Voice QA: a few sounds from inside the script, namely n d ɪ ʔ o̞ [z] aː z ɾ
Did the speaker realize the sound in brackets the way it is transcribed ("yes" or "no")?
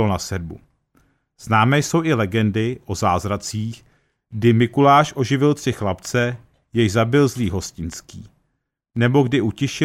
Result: yes